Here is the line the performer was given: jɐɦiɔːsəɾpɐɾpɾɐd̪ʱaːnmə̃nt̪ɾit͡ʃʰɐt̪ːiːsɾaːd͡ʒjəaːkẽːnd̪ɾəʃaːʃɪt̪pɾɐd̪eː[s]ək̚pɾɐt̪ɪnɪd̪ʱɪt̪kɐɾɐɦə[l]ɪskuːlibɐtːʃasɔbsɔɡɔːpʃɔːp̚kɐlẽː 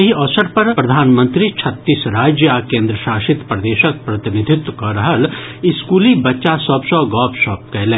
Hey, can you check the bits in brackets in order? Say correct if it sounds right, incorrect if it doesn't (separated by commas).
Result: incorrect, correct